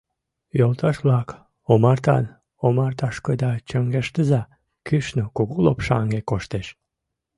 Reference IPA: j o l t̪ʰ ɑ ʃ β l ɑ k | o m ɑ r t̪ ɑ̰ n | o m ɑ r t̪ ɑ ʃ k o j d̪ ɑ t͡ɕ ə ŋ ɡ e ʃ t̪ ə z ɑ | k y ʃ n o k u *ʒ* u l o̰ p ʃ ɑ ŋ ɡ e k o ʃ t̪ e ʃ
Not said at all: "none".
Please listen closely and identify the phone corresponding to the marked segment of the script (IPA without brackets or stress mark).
ɣ